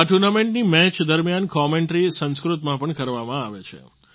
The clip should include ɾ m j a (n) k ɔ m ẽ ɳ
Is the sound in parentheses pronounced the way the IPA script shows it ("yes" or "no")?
yes